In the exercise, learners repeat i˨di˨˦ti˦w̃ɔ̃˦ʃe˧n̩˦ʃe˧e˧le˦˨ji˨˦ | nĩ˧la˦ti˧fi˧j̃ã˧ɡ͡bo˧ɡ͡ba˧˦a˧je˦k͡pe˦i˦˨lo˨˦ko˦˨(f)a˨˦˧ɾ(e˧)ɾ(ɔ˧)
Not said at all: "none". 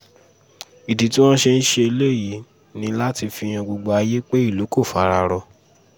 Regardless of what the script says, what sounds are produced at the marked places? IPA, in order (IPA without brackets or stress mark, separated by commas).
f, a˧, ɔ˧